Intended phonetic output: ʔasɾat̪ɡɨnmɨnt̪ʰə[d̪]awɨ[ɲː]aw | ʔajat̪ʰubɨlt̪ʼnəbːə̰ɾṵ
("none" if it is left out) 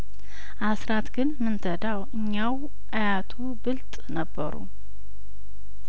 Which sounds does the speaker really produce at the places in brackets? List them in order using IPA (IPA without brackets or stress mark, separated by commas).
d̪, ɲː